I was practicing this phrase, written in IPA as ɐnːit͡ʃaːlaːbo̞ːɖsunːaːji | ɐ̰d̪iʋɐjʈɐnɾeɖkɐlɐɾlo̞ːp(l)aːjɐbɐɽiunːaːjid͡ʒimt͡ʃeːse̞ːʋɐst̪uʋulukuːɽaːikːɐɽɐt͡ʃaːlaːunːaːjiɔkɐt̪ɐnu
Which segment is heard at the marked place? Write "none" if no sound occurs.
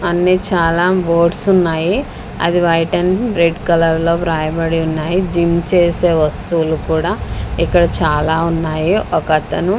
ɾ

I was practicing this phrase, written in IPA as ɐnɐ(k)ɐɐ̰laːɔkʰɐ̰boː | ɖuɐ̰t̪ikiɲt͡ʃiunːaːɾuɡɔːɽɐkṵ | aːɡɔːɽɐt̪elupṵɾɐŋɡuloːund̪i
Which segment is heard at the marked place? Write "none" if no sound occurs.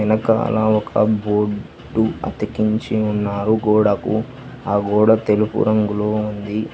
k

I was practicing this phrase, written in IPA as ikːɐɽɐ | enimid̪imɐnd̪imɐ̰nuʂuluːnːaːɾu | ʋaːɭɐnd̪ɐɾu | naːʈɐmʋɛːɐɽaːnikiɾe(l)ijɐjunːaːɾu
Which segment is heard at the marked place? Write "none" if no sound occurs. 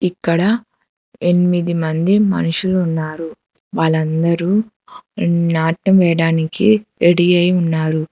ɽ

